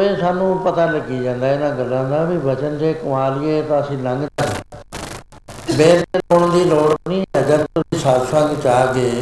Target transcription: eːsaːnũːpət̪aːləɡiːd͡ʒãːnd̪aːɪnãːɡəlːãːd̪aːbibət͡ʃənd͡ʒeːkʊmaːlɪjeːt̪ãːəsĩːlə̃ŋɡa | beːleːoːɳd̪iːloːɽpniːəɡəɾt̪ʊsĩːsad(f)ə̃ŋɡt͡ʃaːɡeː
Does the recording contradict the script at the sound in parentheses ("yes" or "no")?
yes